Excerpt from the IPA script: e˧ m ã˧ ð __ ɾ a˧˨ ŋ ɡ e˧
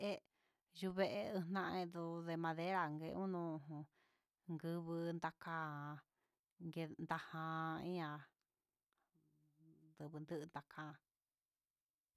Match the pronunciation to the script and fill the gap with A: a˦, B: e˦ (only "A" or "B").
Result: B